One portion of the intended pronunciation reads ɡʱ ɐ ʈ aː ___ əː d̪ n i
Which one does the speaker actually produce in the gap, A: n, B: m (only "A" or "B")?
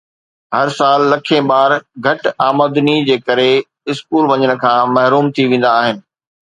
B